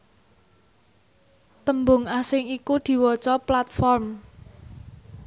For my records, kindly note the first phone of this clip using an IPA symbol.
t̪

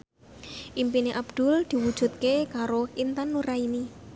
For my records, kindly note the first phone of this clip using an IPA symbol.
ʔ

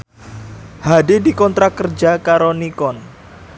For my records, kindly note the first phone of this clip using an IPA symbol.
h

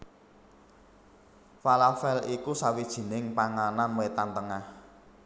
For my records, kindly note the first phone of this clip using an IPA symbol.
f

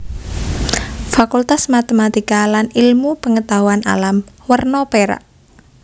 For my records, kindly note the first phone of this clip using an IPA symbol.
f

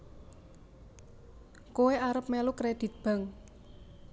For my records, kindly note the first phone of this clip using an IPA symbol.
k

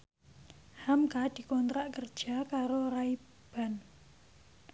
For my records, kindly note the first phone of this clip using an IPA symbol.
h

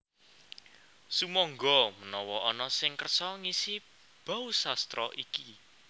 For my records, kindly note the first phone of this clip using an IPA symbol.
s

